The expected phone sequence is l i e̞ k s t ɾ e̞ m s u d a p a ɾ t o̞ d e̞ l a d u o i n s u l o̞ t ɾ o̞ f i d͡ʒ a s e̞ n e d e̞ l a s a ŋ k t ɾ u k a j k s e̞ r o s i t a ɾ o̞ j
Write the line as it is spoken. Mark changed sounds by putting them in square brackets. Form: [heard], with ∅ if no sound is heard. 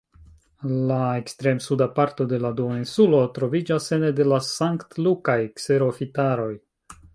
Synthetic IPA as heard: l [a] e̞ k s t ɾ e̞ m s u d a p a ɾ t o̞ d e̞ l a d u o i n s u l o̞ t ɾ o̞ [v] i d͡ʒ a s e̞ n e d e̞ l a s a ŋ k t [l] u k a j k s e̞ [ɾ] o [f] i t a ɾ o̞ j